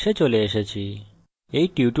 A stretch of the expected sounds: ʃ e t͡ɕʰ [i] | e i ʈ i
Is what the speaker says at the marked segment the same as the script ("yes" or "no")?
yes